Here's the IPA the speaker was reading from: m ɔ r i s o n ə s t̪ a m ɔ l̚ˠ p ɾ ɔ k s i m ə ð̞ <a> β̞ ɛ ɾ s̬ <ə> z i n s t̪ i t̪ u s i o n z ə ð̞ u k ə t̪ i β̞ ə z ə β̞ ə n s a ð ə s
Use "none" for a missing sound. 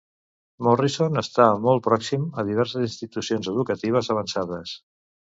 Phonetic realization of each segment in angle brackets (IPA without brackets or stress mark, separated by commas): i, ə